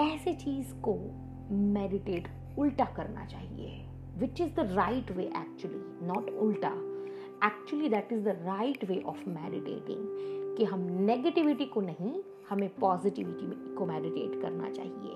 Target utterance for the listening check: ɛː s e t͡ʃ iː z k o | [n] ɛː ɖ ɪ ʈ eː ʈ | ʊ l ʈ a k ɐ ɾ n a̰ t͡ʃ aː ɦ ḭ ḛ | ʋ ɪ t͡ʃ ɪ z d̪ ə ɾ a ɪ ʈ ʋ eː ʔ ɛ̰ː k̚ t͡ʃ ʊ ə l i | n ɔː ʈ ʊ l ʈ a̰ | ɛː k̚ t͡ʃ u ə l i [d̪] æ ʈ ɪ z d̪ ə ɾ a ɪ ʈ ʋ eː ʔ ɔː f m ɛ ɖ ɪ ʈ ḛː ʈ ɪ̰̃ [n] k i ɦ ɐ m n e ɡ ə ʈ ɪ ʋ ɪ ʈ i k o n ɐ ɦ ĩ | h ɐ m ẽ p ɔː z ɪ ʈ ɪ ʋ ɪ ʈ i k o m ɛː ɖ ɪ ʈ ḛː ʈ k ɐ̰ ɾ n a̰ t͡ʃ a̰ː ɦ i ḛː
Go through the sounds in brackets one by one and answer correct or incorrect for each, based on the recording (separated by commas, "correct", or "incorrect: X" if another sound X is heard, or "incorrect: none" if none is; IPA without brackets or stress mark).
incorrect: m, correct, incorrect: ŋ